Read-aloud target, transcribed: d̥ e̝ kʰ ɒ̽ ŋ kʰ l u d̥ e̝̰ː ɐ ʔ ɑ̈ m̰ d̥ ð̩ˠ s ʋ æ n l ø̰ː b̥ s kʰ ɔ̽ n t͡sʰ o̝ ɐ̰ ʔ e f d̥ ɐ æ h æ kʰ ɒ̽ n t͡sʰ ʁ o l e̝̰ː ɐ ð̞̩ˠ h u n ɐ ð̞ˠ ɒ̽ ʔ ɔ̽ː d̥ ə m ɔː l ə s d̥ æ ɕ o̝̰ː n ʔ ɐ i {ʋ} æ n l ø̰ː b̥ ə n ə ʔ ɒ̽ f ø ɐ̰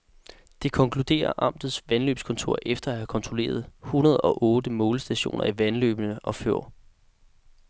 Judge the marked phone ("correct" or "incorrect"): correct